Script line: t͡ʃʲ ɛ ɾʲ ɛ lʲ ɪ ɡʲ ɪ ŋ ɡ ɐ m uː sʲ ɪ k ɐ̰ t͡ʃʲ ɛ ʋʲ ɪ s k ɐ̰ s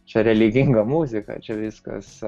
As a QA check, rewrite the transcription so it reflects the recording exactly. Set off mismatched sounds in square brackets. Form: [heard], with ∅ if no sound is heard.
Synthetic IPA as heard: t͡ʃʲ ɛ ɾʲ ɛ lʲ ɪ ɡʲ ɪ ŋ ɡ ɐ m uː [zʲ] ɪ k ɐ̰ t͡ʃʲ ɛ ʋʲ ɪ s k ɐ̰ s